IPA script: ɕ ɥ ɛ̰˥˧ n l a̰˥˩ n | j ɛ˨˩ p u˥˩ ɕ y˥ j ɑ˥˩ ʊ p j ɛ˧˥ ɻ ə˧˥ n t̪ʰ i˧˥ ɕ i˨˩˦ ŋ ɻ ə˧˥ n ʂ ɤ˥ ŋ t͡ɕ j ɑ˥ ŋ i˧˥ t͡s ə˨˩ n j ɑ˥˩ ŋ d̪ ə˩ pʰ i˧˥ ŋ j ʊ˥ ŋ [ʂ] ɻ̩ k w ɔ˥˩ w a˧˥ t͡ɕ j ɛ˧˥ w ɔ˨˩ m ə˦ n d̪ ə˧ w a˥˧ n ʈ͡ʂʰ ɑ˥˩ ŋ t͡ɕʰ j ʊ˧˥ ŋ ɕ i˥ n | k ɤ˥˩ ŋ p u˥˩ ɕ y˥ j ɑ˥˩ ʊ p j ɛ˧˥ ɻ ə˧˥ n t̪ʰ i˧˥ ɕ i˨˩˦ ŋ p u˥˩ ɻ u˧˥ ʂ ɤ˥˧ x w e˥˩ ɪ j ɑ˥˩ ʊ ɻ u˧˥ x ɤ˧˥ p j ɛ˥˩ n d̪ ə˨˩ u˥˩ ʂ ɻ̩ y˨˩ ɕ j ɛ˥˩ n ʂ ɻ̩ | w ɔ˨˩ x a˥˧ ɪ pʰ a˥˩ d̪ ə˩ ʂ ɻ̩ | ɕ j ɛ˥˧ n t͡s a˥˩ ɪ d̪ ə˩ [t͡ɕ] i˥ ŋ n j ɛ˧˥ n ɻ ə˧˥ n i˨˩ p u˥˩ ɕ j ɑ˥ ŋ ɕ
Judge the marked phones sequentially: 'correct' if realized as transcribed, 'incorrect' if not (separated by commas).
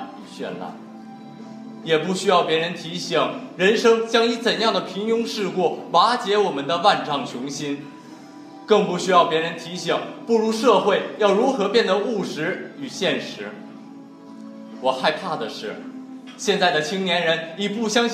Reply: correct, incorrect